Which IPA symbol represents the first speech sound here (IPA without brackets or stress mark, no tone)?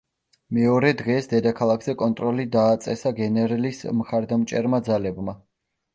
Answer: m